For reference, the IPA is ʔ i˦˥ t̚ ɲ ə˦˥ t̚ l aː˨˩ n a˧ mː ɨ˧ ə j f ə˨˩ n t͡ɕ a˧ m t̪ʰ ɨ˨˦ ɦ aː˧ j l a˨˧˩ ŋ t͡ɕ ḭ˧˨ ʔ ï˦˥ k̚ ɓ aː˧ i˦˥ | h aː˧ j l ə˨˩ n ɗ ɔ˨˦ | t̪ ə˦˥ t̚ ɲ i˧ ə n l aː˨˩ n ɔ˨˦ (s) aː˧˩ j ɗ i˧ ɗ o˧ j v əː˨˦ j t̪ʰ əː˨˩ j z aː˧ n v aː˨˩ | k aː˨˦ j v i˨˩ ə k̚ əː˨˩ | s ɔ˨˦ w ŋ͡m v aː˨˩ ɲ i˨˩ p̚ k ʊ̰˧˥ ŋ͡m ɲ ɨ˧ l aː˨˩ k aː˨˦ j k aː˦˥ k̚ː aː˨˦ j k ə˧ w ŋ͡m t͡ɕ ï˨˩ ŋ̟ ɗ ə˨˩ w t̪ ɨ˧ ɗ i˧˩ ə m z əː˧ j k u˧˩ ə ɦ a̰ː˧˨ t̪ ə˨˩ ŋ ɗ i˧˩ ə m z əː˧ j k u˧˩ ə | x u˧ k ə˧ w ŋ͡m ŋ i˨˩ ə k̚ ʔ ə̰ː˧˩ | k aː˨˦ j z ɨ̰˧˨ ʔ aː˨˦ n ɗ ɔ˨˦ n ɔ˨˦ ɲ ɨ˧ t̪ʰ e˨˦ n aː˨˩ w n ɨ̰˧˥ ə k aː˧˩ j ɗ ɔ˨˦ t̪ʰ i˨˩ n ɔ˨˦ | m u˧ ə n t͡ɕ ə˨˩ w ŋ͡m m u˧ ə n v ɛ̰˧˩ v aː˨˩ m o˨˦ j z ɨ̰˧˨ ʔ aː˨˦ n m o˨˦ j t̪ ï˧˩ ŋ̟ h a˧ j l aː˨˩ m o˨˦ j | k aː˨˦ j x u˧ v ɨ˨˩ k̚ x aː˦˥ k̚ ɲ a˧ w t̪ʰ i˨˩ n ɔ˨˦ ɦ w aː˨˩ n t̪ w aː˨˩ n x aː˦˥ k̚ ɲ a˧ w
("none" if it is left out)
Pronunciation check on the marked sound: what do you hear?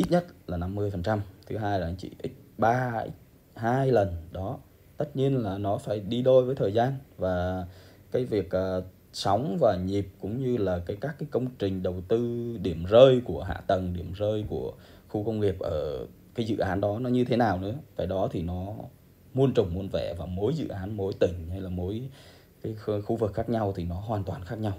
f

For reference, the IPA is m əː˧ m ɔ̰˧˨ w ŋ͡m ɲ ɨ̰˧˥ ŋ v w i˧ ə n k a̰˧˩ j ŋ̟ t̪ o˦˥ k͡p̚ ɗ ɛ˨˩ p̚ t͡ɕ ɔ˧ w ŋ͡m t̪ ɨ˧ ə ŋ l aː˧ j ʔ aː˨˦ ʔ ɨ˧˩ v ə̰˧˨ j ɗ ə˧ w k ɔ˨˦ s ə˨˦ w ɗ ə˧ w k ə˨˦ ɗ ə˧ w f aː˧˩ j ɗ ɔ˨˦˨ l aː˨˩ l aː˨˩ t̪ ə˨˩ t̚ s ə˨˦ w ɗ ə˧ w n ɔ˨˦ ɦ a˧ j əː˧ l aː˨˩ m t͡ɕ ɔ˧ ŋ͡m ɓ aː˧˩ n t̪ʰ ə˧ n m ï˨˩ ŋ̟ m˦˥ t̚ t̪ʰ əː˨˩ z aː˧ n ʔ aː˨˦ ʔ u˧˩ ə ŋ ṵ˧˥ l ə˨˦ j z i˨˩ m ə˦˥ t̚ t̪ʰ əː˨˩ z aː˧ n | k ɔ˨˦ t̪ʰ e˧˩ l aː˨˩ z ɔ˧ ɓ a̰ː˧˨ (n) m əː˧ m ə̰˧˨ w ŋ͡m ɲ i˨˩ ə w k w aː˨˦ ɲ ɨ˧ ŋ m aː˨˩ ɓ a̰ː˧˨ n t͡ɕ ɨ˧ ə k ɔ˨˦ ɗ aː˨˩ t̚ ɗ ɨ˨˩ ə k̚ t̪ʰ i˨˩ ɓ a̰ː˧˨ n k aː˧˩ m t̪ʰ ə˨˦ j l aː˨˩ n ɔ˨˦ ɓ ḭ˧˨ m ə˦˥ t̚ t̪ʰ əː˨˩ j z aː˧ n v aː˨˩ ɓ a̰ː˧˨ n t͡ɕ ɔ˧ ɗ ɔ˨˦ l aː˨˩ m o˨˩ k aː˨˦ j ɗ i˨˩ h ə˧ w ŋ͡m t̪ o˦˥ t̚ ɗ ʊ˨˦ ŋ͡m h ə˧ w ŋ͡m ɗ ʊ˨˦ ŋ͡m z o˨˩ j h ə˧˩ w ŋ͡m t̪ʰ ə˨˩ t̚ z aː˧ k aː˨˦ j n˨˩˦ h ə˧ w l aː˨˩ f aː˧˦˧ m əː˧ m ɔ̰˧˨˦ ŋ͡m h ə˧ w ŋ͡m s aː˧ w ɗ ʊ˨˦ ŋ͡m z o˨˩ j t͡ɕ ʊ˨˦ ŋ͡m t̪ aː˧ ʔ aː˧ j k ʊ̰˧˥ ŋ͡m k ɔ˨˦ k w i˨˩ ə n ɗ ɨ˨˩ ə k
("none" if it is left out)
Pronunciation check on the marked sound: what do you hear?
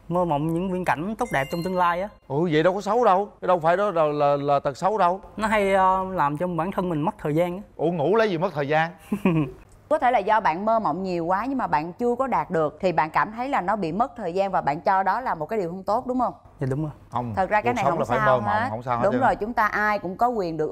n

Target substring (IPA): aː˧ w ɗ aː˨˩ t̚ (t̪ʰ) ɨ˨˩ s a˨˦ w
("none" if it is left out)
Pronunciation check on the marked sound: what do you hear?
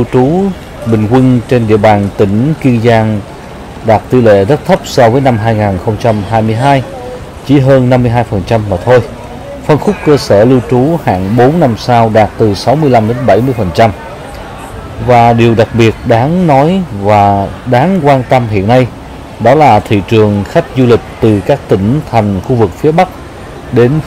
t̪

